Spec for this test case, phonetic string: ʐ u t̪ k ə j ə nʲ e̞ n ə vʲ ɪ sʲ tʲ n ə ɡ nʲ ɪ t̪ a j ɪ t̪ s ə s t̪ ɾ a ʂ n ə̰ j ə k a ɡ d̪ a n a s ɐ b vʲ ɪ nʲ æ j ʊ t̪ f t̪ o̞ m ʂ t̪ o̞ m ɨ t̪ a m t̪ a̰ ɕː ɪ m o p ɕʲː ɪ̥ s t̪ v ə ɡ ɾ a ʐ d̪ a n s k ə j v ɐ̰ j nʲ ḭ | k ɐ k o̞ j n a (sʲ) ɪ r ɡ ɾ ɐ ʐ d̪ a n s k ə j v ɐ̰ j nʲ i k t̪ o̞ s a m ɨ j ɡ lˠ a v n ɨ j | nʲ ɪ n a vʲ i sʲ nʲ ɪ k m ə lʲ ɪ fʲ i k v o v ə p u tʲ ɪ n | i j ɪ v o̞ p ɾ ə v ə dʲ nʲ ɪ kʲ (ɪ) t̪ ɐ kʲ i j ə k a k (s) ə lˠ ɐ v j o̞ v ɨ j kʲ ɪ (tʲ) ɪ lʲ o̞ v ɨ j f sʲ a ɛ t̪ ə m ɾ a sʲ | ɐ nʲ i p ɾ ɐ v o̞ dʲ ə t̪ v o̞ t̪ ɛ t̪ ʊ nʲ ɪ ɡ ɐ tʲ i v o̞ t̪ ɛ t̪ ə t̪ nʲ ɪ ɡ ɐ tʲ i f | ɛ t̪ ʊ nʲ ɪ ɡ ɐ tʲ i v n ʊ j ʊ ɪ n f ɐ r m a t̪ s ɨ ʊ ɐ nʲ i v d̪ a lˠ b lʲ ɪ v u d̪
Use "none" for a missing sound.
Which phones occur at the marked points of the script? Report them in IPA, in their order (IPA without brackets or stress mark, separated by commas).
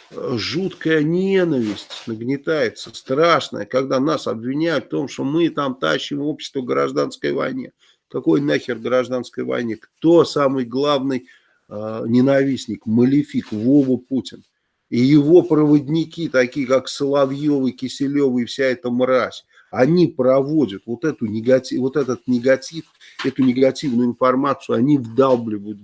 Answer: xʲ, i, s, sʲ